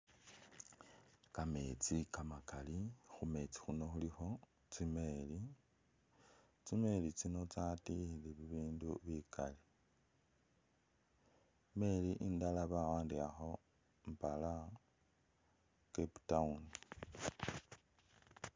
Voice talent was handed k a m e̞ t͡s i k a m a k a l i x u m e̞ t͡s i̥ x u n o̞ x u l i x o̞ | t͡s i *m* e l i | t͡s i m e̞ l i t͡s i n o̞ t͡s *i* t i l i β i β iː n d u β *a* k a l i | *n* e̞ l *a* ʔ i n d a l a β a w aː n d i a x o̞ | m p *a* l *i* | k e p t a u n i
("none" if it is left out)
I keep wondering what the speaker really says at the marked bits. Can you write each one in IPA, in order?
m, a, i, m, i, a, a

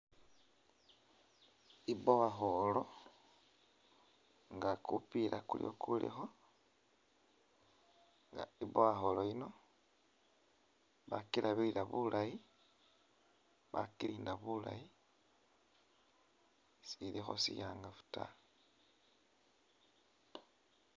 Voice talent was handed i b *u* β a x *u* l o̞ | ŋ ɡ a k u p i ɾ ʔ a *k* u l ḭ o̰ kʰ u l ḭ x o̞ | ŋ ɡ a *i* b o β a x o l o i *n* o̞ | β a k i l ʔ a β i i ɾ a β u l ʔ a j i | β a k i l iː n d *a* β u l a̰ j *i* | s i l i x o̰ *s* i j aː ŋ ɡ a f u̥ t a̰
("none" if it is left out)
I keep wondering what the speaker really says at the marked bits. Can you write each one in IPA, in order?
o, o, k, i, n, a, i, s

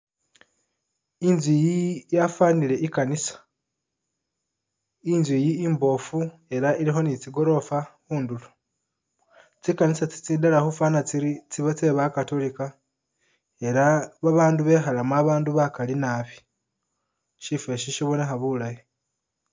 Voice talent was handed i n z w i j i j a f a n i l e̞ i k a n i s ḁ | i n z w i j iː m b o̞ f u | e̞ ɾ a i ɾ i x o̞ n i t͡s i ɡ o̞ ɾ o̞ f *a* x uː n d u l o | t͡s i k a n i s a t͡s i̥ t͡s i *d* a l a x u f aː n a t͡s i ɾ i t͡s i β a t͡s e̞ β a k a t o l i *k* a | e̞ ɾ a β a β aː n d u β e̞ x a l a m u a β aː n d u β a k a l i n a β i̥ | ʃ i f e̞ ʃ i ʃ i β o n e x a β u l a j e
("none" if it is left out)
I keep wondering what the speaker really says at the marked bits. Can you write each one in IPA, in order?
a, d, k

